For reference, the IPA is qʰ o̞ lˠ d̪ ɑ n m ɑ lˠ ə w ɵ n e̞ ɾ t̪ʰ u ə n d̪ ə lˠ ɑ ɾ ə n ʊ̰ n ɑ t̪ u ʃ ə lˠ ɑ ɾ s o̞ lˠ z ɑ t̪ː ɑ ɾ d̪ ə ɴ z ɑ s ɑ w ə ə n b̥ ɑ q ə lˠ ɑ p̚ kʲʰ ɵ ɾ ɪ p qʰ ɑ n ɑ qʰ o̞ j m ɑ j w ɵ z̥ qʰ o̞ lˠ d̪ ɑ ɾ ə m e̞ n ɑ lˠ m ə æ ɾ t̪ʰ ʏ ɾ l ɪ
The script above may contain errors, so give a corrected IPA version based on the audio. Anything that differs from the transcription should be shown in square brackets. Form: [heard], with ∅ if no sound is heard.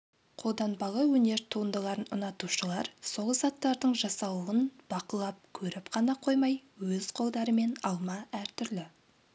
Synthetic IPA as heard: qʰ o̞ lˠ d̪ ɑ n [b] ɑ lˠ ə w ɵ n e̞ ɾ t̪ʰ u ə n d̪ ə lˠ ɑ ɾ ə n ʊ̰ n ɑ t̪ u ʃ ə lˠ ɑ ɾ s o̞ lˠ z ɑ t̪ː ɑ ɾ d̪ ə ɴ [ʒ] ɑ s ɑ w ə ə n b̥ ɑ q ə lˠ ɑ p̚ kʲʰ ɵ ɾ ɪ p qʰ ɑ n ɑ qʰ o̞ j m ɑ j w ɵ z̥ qʰ o̞ lˠ d̪ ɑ ɾ ə m e̞ n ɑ lˠ m [ɑ] æ ɾ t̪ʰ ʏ ɾ l ɪ

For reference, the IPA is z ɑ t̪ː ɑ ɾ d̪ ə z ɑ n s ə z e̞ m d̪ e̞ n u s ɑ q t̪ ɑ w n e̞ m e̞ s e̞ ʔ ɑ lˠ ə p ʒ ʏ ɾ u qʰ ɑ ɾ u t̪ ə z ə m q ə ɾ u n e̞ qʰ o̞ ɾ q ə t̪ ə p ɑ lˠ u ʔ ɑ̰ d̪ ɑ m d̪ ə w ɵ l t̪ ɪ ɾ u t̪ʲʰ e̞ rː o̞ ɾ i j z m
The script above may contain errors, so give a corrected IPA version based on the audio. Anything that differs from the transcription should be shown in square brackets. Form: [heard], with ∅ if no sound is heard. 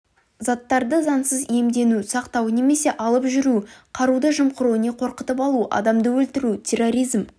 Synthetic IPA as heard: z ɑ t̪ː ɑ ɾ d̪ ə z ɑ n s ə z e̞ m d̪ e̞ n u s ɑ q t̪ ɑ w n e̞ m e̞ s e̞ ʔ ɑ lˠ ə p ʒ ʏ ɾ u qʰ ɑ ɾ u [d̪] ə [ʒ] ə m q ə ɾ u n e̞ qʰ o̞ ɾ q ə t̪ ə p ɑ lˠ u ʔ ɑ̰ d̪ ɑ m d̪ ə w ɵ l t̪ ɪ ɾ u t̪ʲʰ e̞ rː o̞ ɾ i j z m

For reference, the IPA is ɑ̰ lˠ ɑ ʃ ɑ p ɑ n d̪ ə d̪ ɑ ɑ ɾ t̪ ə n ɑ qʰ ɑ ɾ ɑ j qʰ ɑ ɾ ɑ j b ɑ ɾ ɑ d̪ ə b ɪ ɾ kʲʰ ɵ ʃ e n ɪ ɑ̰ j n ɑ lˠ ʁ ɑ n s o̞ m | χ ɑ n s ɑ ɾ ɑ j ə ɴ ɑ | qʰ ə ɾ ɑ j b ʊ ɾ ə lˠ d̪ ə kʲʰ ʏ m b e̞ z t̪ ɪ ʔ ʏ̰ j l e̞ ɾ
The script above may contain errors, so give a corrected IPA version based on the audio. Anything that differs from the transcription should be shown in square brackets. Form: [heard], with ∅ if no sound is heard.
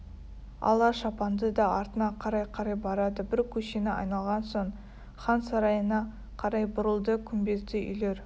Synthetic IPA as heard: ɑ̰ lˠ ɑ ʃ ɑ p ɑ n d̪ ə d̪ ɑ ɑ ɾ t̪ ə n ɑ qʰ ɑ ɾ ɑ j qʰ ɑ ɾ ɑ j b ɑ ɾ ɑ d̪ ə b ɪ ɾ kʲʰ ɵ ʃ e n ɪ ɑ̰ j n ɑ lˠ ʁ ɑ n s o̞ [ɴ] | χ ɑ n s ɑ ɾ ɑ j ə [n] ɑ | qʰ [ɑ] ɾ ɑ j b ʊ ɾ ə lˠ d̪ ə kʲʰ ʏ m b e̞ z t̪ ɪ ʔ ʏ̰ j l e̞ ɾ

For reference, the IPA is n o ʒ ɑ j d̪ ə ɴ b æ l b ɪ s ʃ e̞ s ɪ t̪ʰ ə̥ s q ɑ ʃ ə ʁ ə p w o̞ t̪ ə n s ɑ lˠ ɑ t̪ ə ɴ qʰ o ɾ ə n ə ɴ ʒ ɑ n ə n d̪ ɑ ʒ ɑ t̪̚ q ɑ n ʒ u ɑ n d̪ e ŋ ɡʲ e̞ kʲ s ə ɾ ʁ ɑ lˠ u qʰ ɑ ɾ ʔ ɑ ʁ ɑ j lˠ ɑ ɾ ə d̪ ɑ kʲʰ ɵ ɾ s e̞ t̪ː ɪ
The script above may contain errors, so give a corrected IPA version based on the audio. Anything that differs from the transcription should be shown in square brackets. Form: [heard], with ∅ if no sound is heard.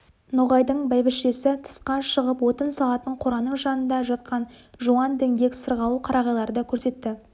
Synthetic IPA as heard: n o [ʁ] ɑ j d̪ ə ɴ b æ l b ɪ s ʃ e̞ s ɪ t̪ʰ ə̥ s q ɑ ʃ ə ʁ ə p w o̞ t̪ ə n s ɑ lˠ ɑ t̪ ə ɴ qʰ o ɾ [ɑ] n ə ɴ ʒ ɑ n ə n d̪ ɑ ʒ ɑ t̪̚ q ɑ n ʒ u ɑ n d̪ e ŋ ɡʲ e̞ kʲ s ə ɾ ʁ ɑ lˠ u qʰ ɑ ɾ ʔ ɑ ʁ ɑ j lˠ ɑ ɾ ə d̪ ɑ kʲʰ ɵ ɾ s e̞ t̪ː ɪ

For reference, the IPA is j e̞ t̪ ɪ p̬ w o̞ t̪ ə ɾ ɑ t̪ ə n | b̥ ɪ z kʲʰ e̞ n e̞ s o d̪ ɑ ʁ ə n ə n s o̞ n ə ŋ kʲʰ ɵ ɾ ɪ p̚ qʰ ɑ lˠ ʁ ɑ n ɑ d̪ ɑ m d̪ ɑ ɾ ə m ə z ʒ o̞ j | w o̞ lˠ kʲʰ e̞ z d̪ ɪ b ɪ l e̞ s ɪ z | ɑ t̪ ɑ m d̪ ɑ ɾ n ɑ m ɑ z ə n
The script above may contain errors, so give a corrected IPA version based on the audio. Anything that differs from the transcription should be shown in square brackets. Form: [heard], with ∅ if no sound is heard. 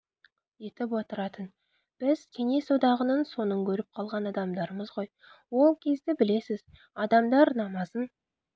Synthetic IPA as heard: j e̞ t̪ ɪ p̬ w o̞ t̪ ə ɾ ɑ t̪ ə n | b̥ ɪ z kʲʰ e̞ n e̞ s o d̪ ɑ ʁ ə n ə n s o̞ n ə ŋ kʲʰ ɵ ɾ ɪ p̚ qʰ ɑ lˠ ʁ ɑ n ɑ d̪ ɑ m d̪ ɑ ɾ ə m ə z [ʁ] o̞ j | w o̞ lˠ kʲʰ e̞ z d̪ ɪ b ɪ l e̞ s ɪ z | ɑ [d̪] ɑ m d̪ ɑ ɾ n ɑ m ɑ z ə n

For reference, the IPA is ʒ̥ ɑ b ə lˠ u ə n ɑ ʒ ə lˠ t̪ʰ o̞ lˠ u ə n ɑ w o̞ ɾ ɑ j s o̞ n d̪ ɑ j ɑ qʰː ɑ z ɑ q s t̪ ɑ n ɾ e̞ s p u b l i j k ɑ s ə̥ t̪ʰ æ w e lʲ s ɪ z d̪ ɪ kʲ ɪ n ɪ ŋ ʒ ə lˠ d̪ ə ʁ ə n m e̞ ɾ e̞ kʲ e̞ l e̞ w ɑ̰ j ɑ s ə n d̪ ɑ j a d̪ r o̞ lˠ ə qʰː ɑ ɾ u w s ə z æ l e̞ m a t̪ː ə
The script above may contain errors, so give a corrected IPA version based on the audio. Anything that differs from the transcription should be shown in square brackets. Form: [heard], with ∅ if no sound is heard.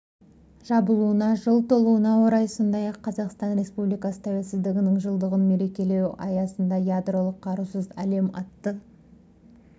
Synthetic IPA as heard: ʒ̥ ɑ b ə lˠ u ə n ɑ ʒ ə lˠ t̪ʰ o̞ lˠ u ə n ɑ w o̞ ɾ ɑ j s o̞ n d̪ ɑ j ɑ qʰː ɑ z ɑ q s t̪ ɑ n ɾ e̞ s p u b l i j k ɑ s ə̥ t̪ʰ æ w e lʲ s ɪ z d̪ ɪ [ɡʲ] ɪ n ɪ ŋ ʒ ə lˠ d̪ ə ʁ ə n m e̞ ɾ e̞ kʲ e̞ l e̞ w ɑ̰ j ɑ s ə n d̪ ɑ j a d̪ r o̞ lˠ ə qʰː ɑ ɾ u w s ə z æ l e̞ m [ɑ] t̪ː ə

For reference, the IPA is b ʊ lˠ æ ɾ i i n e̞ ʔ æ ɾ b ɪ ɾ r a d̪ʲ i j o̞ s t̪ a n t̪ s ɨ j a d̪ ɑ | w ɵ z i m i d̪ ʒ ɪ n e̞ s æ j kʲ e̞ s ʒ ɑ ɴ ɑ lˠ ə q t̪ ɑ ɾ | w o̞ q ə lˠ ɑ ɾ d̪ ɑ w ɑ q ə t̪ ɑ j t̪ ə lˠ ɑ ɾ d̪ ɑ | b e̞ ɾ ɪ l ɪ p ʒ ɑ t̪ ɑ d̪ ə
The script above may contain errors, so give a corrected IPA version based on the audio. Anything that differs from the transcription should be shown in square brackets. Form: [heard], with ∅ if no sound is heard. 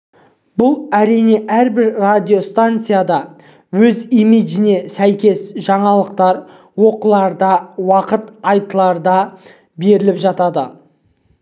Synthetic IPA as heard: b ʊ lˠ æ ɾ i [j] n e̞ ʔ æ ɾ b ɪ ɾ r a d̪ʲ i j o̞ s t̪ a n t̪ s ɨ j a d̪ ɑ | w ɵ z i m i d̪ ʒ ɪ n e̞ s æ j kʲ e̞ s ʒ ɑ ɴ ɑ lˠ ə q t̪ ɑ ɾ | w o̞ q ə lˠ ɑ ɾ d̪ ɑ w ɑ q ə t̪ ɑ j t̪ ə lˠ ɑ ɾ d̪ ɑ | b e̞ ɾ ɪ l ɪ p ʒ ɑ t̪ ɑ d̪ ə

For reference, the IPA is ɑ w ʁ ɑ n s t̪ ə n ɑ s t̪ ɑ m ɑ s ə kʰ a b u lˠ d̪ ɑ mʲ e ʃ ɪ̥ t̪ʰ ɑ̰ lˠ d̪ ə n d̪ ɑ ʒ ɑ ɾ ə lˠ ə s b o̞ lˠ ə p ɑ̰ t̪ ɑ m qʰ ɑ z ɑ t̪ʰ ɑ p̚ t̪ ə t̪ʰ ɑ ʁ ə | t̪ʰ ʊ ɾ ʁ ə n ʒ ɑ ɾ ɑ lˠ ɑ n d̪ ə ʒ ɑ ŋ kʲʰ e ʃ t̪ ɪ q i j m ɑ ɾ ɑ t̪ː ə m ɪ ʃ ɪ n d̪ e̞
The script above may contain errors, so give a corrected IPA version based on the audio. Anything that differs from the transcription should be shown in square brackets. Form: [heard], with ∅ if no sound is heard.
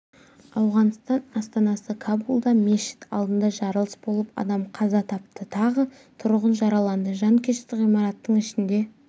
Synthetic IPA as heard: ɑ w ʁ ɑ n s t̪ [ɑ] n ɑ s t̪ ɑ [n] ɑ s ə kʰ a b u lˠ d̪ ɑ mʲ e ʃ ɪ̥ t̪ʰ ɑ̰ lˠ d̪ ə n d̪ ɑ ʒ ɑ ɾ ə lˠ ə s b o̞ lˠ ə p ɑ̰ [d̪] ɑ m qʰ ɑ z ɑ t̪ʰ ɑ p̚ t̪ ə t̪ʰ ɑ ʁ ə | t̪ʰ ʊ ɾ ʁ ə n ʒ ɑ ɾ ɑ lˠ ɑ n d̪ ə ʒ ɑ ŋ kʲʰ e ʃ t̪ ɪ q i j m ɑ ɾ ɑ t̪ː ə [ɴ] ɪ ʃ ɪ n d̪ e̞

